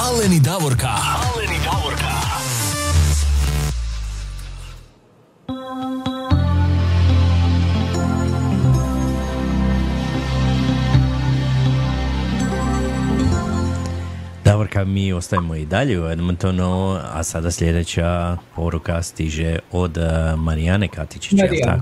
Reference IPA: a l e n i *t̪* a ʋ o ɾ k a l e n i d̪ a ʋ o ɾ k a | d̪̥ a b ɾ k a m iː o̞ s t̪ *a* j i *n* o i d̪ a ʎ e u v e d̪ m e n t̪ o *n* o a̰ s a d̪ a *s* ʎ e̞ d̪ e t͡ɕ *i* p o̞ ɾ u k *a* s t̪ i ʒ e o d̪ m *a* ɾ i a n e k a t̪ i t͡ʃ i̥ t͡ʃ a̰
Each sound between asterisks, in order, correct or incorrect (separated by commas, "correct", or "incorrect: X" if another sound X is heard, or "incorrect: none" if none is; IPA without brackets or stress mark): incorrect: d̪, correct, incorrect: m, correct, correct, incorrect: a, correct, correct